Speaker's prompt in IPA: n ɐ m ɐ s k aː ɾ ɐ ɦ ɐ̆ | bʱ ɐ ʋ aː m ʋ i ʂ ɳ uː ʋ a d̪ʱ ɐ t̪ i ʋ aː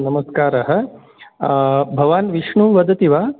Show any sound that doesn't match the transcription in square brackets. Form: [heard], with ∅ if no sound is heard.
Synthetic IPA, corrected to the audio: n ɐ m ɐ s k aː ɾ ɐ ɦ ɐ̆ | bʱ ɐ ʋ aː [n] ʋ i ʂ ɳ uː ʋ [ɐ] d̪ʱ ɐ t̪ i ʋ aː

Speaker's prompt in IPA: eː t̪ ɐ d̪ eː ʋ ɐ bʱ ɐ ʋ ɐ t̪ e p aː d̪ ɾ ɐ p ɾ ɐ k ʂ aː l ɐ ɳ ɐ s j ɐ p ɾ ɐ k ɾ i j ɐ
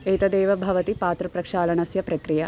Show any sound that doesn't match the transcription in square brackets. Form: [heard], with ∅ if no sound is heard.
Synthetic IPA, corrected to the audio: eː t̪ ɐ d̪ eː ʋ ɐ bʱ ɐ ʋ ɐ t̪ [i] p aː [t̪] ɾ ɐ p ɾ ɐ k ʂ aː l ɐ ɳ ɐ s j ɐ p ɾ ɐ k ɾ i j ɐ

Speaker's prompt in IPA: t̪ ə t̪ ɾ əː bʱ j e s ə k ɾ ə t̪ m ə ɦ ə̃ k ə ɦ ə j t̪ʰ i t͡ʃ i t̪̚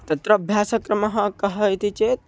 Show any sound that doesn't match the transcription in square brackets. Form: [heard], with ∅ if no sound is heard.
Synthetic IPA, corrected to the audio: t̪ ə t̪ ɾ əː bʱ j [a] s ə k ɾ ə [∅] m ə ɦ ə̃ k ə ɦ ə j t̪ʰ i t͡ʃ [e] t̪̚

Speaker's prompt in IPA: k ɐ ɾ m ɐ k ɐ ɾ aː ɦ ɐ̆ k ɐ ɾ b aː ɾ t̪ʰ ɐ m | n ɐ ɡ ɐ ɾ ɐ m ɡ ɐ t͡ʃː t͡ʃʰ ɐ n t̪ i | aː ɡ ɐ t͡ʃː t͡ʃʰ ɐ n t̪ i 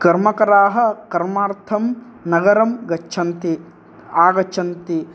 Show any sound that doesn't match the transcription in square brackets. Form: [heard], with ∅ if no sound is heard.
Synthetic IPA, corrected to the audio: k ɐ ɾ m ɐ k ɐ ɾ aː ɦ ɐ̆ k ɐ ɾ [m] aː ɾ t̪ʰ ɐ m | n ɐ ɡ ɐ ɾ ɐ m ɡ ɐ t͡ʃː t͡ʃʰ ɐ n t̪ i | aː ɡ ɐ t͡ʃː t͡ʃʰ ɐ n t̪ i

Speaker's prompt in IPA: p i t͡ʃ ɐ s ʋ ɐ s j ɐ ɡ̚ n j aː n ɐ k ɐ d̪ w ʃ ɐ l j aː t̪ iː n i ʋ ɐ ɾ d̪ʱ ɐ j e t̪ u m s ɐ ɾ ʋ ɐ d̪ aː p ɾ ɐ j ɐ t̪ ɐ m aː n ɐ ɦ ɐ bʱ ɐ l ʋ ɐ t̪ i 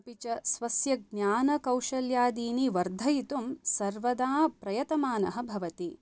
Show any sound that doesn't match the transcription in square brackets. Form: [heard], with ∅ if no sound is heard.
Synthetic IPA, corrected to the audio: p i t͡ʃ ɐ s ʋ ɐ s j ɐ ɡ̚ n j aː n ɐ k ɐ [∅] w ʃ ɐ l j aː [d̪] iː n i ʋ ɐ ɾ d̪ʱ ɐ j [i] t̪ u m s ɐ ɾ ʋ ɐ d̪ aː p ɾ ɐ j ɐ t̪ ɐ m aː n ɐ ɦ ɐ bʱ ɐ [∅] ʋ ɐ t̪ i

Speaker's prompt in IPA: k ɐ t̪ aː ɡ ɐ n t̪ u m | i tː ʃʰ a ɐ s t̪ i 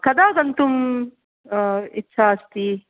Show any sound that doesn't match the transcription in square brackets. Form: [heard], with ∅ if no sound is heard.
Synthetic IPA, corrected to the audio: k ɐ [d̪] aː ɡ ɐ n t̪ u m | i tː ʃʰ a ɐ s t̪ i

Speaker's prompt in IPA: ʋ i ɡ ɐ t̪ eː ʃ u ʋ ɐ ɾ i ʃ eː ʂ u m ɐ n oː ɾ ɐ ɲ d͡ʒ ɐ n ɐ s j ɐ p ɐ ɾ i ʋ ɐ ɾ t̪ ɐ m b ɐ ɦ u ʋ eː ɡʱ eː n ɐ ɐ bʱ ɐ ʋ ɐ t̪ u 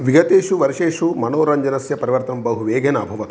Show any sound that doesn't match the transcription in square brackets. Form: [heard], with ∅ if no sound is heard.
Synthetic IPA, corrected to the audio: ʋ i ɡ ɐ t̪ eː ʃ u ʋ ɐ ɾ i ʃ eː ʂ u m ɐ n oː ɾ ɐ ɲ d͡ʒ ɐ n ɐ s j ɐ p ɐ ɾ i ʋ ɐ ɾ t̪ ɐ m b ɐ ɦ u ʋ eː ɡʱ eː n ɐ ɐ bʱ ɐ ʋ ɐ t̪ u

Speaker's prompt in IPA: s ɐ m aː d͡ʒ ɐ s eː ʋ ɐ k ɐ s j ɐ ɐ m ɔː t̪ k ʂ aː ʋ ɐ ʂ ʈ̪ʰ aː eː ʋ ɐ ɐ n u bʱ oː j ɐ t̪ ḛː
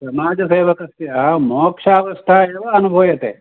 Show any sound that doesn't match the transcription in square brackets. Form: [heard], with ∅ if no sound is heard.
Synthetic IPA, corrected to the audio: s ɐ m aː d͡ʒ ɐ s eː ʋ ɐ k ɐ s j ɐ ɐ m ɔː [∅] k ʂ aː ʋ ɐ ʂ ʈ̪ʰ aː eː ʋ ɐ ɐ n u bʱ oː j ɐ t̪ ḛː

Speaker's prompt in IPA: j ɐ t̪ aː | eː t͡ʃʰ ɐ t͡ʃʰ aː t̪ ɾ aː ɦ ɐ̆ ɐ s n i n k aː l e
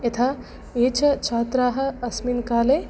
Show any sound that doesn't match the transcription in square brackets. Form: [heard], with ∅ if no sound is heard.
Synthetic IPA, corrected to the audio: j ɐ [t̪ʰ] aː | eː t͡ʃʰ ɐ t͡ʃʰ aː t̪ ɾ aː ɦ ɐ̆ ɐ s [m] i n k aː l e

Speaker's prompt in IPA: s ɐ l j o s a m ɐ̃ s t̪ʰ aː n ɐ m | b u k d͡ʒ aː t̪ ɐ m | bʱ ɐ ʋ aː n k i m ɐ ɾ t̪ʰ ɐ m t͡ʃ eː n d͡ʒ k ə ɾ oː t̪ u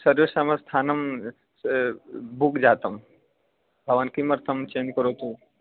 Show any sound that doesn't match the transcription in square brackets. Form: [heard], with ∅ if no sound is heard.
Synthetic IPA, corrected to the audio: s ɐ [ɾ] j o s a m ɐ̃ s t̪ʰ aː n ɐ m | b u k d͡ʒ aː t̪ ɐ m | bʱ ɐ ʋ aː n k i m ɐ ɾ t̪ʰ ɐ m t͡ʃ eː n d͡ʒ k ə ɾ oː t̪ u

